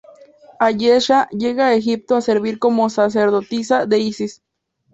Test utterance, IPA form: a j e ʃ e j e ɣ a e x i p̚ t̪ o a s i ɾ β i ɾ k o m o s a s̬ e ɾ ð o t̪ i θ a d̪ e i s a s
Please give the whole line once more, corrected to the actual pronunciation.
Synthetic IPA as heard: a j e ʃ a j e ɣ a e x i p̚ t̪ o a s e ɾ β i ɾ k o m o s a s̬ e ɾ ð o t̪ i s a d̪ e i s i s